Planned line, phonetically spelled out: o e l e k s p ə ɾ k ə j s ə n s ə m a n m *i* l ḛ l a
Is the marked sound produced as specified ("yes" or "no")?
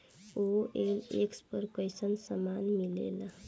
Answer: yes